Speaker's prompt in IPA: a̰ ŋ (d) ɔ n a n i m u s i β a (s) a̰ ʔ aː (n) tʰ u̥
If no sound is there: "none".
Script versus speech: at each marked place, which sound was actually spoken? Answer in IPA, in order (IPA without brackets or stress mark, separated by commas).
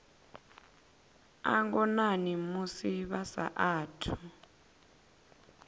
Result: ɡ, s, none